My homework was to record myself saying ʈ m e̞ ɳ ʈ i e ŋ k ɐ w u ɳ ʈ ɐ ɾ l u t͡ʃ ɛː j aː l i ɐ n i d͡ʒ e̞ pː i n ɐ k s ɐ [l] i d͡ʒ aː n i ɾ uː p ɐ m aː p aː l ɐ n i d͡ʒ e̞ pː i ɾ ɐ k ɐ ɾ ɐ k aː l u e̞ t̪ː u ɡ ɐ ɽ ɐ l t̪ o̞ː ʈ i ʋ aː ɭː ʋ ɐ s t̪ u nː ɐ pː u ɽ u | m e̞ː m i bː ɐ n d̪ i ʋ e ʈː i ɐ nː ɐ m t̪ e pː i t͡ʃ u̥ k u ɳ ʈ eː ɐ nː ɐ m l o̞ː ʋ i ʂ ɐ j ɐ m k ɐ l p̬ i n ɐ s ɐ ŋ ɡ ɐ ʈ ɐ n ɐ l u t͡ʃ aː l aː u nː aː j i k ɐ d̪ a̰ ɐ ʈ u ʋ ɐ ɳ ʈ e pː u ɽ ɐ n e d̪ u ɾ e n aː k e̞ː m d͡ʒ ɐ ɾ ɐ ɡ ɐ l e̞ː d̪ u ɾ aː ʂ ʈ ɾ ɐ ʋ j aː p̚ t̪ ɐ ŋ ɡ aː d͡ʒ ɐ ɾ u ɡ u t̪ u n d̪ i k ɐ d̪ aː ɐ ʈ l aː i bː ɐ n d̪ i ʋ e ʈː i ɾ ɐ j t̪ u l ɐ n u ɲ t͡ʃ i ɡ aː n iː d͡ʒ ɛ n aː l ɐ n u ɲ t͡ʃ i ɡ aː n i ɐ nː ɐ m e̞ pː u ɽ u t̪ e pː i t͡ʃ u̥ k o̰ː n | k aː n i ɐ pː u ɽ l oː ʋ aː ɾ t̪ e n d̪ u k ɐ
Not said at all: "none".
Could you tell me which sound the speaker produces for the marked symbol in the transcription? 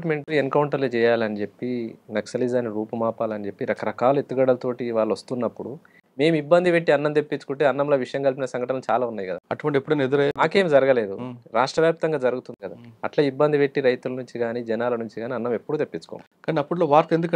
l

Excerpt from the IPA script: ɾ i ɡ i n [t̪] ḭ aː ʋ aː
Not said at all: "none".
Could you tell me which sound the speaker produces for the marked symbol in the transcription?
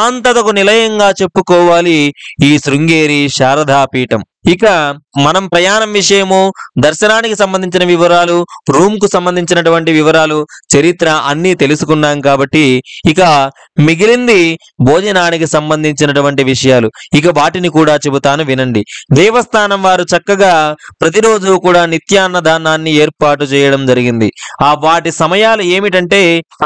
d̪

